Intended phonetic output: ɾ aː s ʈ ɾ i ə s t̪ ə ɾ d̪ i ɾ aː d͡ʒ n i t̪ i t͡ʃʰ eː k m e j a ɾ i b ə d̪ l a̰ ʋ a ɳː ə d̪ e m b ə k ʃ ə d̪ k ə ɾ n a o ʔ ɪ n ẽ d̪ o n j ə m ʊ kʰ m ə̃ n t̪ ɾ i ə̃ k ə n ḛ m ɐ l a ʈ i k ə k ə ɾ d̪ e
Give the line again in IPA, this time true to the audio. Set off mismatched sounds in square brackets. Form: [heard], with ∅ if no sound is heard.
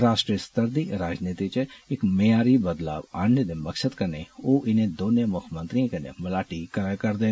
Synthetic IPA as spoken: ɾ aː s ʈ ɾ i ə s t̪ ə ɾ d̪ i ɾ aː d͡ʒ n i t̪ i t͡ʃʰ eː k m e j a ɾ i b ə d̪ l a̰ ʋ a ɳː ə d̪ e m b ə k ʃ ə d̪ k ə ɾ n [e] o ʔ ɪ n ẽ d̪ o n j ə m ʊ kʰ m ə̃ n t̪ ɾ i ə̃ k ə n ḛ m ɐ l a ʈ i k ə k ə ɾ d̪ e